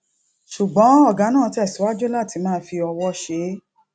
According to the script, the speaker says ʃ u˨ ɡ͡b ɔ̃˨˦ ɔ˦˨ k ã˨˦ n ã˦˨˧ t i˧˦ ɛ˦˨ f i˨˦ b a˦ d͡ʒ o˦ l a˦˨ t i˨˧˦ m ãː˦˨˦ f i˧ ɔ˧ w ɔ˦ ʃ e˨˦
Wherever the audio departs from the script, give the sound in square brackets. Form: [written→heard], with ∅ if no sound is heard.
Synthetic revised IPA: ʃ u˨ ɡ͡b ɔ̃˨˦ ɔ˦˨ [k→ɡ] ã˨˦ n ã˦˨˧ t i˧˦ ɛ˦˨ [f→s] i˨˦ [b→w] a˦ d͡ʒ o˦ l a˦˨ t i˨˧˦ m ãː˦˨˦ f i˧ ɔ˧ w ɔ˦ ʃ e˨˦